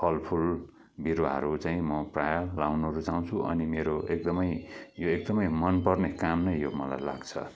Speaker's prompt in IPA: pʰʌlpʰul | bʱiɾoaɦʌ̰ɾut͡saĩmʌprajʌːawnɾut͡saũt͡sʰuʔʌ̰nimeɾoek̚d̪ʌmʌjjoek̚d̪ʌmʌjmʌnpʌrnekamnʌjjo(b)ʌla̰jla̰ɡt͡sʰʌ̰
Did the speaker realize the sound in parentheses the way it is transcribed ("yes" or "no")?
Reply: no